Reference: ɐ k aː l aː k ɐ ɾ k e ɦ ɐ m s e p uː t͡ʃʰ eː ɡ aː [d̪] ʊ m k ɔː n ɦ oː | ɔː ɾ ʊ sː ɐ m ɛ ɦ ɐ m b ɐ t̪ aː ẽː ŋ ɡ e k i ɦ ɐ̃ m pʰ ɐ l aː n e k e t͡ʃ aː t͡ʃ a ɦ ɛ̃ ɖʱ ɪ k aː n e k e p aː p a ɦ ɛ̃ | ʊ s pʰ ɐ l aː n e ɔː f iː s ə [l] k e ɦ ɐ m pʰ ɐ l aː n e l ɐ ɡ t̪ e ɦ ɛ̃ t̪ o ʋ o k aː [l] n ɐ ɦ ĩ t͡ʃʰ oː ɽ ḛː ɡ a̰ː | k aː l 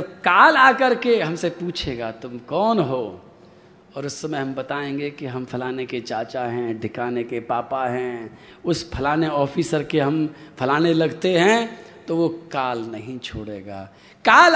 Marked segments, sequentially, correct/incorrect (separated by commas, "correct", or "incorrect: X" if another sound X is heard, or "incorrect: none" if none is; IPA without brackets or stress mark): incorrect: t̪, incorrect: ɾ, correct